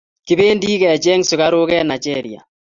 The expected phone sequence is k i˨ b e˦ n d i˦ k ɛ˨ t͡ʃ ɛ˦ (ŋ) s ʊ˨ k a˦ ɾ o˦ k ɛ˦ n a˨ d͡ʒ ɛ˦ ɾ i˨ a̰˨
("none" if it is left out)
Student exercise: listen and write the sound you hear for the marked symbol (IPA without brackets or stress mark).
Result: ŋ